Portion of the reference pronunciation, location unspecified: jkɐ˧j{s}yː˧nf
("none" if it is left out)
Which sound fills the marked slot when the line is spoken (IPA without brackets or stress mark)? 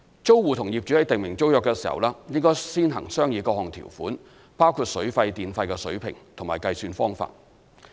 s